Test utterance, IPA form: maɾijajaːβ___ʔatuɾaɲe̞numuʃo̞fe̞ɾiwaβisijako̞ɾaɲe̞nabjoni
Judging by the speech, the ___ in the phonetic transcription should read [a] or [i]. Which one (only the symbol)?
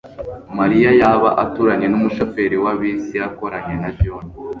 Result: a